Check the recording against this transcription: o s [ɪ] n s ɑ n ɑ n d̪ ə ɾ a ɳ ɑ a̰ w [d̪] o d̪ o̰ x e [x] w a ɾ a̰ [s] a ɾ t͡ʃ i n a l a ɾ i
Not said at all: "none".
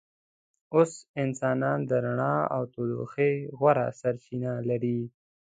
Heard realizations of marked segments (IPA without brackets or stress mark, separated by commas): ɪ, t̪, ɣ, s